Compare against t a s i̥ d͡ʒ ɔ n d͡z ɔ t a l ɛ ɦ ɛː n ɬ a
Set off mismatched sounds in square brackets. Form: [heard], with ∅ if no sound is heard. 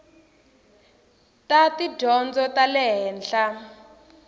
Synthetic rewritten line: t a [t] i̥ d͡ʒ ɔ n d͡z ɔ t a l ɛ ɦ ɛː n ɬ a